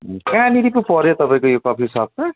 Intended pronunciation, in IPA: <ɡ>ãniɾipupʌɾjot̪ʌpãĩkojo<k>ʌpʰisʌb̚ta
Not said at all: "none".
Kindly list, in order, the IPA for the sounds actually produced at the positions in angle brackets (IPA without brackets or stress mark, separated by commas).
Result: k, k